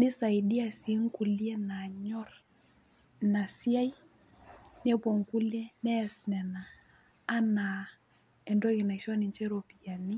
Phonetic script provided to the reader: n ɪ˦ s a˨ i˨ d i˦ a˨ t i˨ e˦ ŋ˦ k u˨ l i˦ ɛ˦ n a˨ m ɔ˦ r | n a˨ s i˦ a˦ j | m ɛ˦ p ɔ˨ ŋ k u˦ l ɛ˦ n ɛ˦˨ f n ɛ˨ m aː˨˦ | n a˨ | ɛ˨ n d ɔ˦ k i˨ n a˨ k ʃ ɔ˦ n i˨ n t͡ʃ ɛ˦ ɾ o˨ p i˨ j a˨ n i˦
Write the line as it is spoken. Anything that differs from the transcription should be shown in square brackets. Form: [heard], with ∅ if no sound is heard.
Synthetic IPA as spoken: n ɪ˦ s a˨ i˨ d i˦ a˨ [s] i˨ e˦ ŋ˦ k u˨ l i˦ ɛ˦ n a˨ [ɲ] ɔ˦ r | n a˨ s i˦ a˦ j | [n] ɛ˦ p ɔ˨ ŋ k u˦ l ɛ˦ n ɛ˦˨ [s] n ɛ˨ [n] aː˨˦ | n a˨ | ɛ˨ n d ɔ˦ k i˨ n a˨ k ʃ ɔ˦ n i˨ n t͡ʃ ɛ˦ ɾ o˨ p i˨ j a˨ n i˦